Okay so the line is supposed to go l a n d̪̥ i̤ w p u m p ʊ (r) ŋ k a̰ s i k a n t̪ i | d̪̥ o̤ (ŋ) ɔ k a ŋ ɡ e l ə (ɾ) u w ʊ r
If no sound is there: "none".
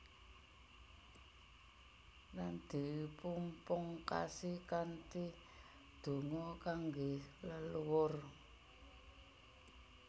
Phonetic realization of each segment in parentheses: none, ŋ, l

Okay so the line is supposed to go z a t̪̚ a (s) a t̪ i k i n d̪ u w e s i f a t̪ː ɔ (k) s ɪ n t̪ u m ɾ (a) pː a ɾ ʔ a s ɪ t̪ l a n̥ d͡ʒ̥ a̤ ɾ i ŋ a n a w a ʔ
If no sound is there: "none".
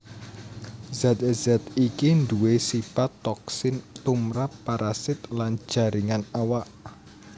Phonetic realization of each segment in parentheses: z, k, a

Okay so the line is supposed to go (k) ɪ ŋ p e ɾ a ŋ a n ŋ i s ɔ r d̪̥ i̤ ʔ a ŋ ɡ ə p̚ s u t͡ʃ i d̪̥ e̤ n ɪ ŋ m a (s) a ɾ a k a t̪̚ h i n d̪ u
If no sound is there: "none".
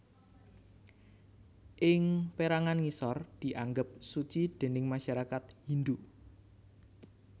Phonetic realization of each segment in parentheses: ʔ, ʃ

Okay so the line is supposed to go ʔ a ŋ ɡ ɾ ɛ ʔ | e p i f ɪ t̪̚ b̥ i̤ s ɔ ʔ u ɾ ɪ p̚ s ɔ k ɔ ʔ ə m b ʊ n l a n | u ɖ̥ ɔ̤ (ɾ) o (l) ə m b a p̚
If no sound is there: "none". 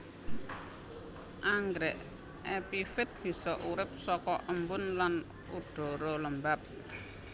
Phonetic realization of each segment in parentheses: ɾ, l

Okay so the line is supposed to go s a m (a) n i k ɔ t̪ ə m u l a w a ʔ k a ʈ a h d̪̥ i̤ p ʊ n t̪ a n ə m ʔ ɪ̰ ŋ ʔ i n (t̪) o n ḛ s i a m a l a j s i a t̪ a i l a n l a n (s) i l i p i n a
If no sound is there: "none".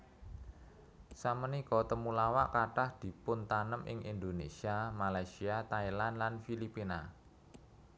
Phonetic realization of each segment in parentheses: ə, d̪, f

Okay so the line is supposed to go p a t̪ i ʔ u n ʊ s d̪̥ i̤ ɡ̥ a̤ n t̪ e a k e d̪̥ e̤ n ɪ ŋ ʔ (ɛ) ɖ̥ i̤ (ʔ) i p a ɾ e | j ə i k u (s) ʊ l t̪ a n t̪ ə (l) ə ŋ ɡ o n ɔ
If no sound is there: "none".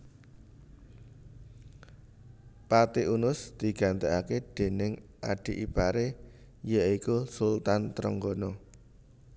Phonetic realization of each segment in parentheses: a, ʔ, s, ɾ

